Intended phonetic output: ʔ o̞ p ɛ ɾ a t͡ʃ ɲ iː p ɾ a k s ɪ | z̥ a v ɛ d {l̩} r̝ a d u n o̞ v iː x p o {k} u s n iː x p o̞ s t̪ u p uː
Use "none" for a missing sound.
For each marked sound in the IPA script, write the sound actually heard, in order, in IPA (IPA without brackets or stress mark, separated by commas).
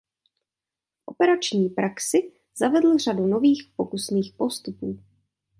l̩, k